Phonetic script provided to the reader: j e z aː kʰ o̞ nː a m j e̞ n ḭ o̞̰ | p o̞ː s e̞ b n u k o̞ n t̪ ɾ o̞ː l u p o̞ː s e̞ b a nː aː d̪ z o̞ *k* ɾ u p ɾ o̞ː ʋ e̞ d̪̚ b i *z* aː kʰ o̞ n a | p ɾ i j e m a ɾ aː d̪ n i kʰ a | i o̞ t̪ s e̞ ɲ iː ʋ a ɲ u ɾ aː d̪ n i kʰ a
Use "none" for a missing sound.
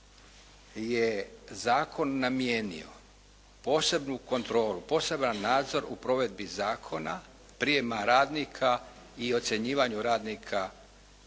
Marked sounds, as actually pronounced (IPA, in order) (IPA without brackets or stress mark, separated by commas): none, z